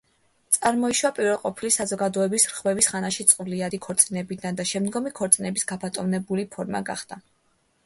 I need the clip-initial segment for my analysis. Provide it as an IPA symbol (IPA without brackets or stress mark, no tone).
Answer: t̪